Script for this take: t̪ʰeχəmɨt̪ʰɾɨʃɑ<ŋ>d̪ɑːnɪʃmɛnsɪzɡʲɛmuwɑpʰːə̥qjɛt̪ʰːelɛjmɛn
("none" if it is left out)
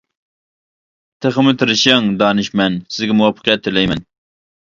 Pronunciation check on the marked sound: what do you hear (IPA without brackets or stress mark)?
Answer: ŋ